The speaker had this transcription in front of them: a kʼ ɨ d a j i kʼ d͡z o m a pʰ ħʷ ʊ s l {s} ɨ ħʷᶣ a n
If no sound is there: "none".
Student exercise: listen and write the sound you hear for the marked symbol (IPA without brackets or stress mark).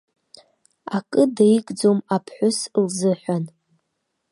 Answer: z